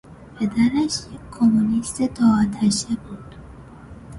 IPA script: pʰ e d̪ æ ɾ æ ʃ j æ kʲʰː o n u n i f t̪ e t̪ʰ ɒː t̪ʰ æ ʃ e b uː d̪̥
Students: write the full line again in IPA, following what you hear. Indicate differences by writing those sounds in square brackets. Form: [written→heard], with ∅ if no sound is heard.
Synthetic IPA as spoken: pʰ e d̪ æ ɾ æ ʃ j [æ→e] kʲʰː o [n→m] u n i [f→s] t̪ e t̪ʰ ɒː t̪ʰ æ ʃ e b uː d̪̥

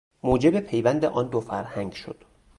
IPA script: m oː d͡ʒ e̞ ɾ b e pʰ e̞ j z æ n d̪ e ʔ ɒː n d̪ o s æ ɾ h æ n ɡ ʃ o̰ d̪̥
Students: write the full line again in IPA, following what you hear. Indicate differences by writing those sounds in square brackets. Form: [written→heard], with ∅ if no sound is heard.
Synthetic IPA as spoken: m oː d͡ʒ e̞ [ɾ→∅] b e pʰ e̞ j [z→v] æ n d̪ e ʔ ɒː n d̪ o [s→f] æ ɾ h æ [n→ŋ] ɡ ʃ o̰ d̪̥

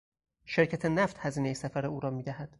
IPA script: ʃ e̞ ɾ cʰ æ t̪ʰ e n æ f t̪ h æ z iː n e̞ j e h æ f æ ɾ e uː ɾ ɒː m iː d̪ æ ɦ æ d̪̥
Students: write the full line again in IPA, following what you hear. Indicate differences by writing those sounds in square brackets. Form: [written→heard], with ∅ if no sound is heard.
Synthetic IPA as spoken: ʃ e̞ ɾ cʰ æ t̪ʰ e n æ f t̪ h æ z iː n e̞ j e [h→s] æ f æ ɾ e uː ɾ ɒː m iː d̪ æ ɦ æ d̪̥

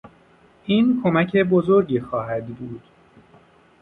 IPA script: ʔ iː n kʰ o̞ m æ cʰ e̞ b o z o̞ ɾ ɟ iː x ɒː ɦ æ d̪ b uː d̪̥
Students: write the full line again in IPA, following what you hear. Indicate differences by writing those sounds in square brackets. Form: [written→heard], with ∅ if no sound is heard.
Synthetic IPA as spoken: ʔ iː n kʰ o̞ m æ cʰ e̞ b o z o̞ ɾ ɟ iː x ɒː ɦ æ d̪ b uː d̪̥

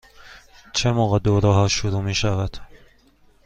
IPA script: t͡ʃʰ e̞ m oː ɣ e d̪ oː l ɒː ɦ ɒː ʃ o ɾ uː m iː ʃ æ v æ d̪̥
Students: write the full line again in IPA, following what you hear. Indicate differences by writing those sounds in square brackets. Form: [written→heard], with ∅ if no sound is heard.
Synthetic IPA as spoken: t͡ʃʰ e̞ m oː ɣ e d̪ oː [l→ɾ] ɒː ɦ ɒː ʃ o ɾ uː m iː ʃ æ v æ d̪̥

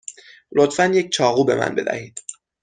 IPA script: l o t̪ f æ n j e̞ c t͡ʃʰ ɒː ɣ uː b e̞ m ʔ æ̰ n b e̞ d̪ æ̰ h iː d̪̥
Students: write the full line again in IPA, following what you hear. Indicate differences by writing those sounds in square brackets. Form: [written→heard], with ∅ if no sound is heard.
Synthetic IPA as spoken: l o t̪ f æ n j e̞ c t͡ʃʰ ɒː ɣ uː b e̞ m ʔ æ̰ n b e̞ d̪ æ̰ h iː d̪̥

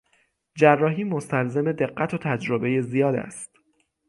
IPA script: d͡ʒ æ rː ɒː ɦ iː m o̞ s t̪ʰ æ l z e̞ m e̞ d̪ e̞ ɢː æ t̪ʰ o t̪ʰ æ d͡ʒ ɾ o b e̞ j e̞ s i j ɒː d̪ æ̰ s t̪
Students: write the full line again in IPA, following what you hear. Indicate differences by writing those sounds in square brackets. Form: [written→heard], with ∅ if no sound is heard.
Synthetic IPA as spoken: d͡ʒ æ rː ɒː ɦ iː m o̞ s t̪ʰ æ l z e̞ m e̞ d̪ e̞ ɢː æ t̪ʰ o t̪ʰ æ d͡ʒ ɾ o b e̞ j e̞ [s→z] i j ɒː d̪ æ̰ s t̪

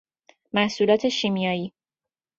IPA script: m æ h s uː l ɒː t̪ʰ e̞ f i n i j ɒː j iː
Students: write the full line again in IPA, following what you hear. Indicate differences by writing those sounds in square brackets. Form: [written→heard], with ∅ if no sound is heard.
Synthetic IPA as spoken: m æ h s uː l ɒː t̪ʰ e̞ [f→ʃ] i [n→m] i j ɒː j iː

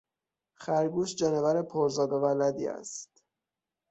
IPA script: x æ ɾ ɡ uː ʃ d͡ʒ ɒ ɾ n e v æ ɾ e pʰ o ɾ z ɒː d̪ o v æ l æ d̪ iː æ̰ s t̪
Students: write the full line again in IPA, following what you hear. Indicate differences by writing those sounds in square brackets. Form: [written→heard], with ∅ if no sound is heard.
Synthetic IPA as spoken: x æ ɾ ɡ uː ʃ d͡ʒ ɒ [ɾ→∅] n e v æ ɾ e pʰ o ɾ z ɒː d̪ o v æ l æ d̪ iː æ̰ s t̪

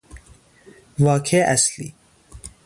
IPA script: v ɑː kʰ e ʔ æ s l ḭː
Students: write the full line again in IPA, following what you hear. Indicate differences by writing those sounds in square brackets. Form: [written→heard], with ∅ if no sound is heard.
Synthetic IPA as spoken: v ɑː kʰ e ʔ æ s l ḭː

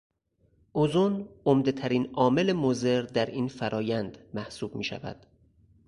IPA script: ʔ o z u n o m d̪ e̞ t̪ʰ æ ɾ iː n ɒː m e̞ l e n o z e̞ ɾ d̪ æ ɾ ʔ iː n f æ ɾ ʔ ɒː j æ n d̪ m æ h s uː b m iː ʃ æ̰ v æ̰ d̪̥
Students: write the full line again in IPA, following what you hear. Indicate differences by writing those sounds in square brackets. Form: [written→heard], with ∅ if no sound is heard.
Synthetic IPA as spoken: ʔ o z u n o m d̪ e̞ t̪ʰ æ ɾ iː n ɒː m e̞ l e [n→m] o z e̞ ɾ d̪ æ ɾ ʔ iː n f æ ɾ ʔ ɒː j æ n d̪ m æ h s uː b m iː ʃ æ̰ v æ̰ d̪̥

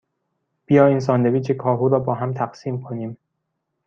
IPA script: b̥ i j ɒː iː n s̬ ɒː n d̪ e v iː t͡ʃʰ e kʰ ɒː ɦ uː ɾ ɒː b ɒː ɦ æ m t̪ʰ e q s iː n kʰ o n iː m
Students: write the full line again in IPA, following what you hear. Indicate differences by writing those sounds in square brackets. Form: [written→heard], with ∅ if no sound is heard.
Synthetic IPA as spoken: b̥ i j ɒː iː n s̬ ɒː n d̪ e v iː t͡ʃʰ e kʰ ɒː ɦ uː ɾ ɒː b ɒː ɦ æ m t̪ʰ [e→æ] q s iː [n→m] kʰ o n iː m

